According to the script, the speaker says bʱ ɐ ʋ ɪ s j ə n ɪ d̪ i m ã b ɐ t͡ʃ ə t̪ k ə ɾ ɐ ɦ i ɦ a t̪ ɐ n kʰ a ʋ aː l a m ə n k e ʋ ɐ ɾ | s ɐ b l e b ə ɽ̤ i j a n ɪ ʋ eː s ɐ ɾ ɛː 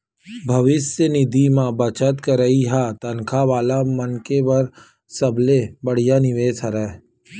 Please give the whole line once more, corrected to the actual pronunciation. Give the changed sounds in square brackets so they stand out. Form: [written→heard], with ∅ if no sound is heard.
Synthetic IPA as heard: bʱ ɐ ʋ ɪ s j ə n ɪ d̪ i m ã b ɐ t͡ʃ ə t̪ k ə ɾ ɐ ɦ i ɦ a t̪ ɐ n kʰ a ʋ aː l a m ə n k e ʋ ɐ ɾ | s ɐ b l e b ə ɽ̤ i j a n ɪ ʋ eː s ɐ ɾ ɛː